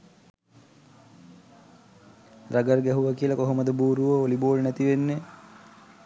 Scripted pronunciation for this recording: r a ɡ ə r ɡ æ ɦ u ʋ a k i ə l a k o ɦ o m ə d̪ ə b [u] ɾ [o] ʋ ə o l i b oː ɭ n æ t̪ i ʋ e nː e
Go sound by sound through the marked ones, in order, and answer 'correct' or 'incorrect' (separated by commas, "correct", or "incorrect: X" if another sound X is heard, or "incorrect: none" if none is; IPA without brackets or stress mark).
incorrect: uː, incorrect: u